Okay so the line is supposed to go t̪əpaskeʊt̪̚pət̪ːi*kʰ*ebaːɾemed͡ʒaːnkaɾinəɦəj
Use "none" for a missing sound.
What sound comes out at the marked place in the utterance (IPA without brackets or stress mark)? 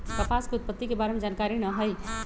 k